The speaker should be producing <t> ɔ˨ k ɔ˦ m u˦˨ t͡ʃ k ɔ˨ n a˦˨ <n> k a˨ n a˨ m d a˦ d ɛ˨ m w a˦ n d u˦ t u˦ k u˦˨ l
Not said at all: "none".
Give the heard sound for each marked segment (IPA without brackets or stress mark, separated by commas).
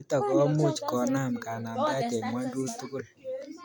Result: t, m